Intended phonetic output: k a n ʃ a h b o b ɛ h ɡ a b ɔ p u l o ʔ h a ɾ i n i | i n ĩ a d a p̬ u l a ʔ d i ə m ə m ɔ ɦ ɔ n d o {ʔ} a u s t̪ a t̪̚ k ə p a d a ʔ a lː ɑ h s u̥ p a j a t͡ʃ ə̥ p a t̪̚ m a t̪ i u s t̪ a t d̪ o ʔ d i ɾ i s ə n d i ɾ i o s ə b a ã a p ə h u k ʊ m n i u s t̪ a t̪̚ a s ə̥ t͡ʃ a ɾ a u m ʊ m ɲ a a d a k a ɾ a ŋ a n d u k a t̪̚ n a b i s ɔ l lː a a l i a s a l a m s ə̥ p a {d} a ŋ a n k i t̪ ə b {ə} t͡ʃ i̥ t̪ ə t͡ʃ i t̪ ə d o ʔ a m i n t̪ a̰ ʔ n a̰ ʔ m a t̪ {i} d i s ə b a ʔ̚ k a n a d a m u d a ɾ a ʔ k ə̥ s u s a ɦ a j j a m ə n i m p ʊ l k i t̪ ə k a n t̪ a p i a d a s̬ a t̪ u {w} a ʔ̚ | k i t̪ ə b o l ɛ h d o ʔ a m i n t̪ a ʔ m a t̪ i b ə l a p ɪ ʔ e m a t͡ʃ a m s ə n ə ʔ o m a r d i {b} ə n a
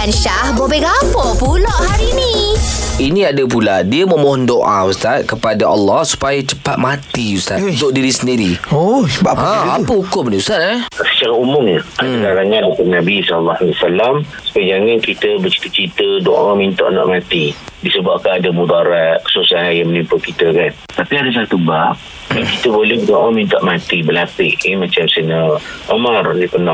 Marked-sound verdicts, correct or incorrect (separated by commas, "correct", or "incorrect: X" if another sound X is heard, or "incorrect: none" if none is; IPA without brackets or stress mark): correct, incorrect: d͡ʒ, correct, correct, incorrect: b, incorrect: p